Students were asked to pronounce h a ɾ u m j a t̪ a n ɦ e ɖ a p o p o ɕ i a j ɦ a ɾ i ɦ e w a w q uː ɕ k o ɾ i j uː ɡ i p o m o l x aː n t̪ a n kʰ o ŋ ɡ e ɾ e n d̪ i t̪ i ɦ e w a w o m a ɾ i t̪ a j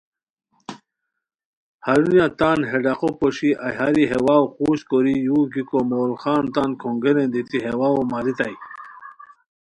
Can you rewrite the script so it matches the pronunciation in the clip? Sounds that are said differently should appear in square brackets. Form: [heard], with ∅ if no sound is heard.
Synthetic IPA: h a ɾ u [n] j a t̪ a n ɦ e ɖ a [q] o p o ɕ i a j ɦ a ɾ i ɦ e w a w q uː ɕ k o ɾ i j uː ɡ i [k] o m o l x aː n t̪ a n kʰ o ŋ ɡ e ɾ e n d̪ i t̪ i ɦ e w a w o m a ɾ i t̪ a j